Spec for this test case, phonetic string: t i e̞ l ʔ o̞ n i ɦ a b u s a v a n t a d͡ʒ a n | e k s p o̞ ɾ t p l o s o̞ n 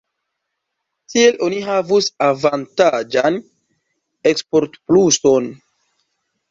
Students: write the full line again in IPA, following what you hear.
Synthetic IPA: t i e̞ l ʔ o̞ n i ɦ a v u s a v a n t a d͡ʒ a n | e k s p o̞ ɾ t p l u s o̞ n